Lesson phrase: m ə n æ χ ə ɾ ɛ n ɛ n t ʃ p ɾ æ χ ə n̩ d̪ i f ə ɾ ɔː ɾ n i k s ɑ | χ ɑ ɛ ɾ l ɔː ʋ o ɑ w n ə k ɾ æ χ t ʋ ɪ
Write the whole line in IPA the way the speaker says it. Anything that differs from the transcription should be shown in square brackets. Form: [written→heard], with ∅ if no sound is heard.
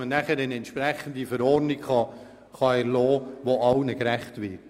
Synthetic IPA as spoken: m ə n æ χ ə ɾ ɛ n ɛ n t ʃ p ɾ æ χ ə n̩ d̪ i f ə ɾ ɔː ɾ n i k [s→χ] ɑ | χ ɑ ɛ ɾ l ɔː ʋ o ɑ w n ə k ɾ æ χ t ʋ ɪ

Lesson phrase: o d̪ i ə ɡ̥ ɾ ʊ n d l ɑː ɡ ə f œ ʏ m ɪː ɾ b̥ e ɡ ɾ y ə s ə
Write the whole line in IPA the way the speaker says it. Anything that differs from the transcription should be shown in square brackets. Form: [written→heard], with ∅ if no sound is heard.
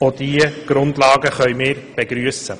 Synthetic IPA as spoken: o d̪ i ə ɡ̥ ɾ ʊ n d l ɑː ɡ ə [f→χ] œ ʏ m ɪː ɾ b̥ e ɡ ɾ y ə s ə

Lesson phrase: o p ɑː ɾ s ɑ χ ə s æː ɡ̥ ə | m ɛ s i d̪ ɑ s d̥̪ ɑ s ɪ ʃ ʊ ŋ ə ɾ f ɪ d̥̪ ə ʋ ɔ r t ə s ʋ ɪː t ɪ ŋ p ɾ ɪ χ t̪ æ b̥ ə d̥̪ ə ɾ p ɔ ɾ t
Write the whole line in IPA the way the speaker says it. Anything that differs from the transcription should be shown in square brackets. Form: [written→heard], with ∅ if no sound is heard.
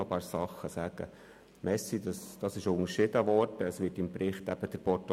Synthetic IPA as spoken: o p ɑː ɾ s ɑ χ ə s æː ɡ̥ ə | m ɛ s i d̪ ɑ s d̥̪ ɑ s ɪ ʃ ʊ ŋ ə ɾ [f→ʃ] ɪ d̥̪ ə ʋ ɔ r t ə s ʋ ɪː t ɪ [ŋ→m] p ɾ ɪ χ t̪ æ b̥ ə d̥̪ ə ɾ p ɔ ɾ t

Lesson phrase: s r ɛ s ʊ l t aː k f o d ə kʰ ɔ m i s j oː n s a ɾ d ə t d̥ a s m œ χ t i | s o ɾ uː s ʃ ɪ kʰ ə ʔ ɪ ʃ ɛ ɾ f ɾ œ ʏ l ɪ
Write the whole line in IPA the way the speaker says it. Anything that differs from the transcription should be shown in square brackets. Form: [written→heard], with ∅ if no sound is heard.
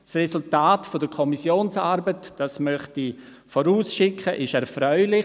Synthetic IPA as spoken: s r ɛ s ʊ l t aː [k→t] f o d ə kʰ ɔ m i s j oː n s a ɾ [d→b] ə t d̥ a s m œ χ t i | [s→f] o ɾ uː s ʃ ɪ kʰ ə ʔ ɪ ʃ ɛ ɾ f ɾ œ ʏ l ɪ

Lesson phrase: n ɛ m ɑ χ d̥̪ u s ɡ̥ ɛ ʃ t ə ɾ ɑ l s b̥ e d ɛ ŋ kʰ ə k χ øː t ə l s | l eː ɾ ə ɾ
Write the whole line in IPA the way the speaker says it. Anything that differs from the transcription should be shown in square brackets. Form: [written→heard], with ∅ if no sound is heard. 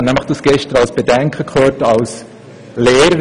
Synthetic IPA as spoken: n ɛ m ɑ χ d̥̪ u s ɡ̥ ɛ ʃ t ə ɾ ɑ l s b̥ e d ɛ ŋ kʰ ə k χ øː t [ə→ɑ] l s | l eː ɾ ə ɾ

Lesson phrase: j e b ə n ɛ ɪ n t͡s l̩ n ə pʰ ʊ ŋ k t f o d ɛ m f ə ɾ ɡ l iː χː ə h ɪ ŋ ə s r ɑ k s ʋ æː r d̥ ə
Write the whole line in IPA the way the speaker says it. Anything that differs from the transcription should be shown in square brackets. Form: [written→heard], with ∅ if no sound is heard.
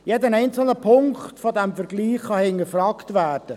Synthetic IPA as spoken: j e [b→d] ə n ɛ ɪ n t͡s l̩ n ə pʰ ʊ ŋ k t f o d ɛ m f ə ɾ ɡ l iː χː [ə→ɑ] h ɪ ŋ ə [s→f] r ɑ k [s→t] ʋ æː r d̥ ə

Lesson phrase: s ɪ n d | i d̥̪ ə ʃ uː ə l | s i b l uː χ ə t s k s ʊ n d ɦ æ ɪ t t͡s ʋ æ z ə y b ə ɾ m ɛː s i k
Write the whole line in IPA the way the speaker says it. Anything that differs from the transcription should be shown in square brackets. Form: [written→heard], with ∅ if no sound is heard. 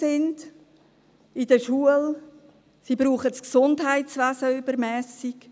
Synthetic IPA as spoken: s ɪ n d | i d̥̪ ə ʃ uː ə l | s i b [l→ɾ] uː χ ə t s k s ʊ n d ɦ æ ɪ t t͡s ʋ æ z ə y b ə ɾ m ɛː s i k

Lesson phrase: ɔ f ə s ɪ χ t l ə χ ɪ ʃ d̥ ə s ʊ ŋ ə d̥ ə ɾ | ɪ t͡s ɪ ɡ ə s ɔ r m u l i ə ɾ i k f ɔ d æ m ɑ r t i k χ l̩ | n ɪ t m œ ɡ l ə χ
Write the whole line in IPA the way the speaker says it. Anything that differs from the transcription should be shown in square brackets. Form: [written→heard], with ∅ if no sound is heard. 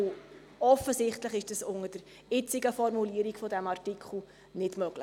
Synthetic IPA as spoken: ɔ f ə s ɪ χ t l ə χ ɪ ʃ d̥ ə s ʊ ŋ ə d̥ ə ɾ | ɪ t͡s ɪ ɡ ə [s→f] ɔ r m u l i ə ɾ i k f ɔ d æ m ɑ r t i k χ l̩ | n ɪ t m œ ɡ l ə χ

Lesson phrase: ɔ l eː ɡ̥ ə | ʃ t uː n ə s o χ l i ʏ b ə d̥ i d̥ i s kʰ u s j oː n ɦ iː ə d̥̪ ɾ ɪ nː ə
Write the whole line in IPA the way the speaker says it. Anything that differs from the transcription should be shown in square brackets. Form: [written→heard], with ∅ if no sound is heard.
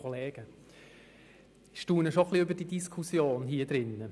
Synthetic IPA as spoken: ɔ l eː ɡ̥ ə | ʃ t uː n ə [s→ʃ] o χ l i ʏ b ə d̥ i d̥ i s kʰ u s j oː n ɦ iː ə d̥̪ ɾ ɪ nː ə

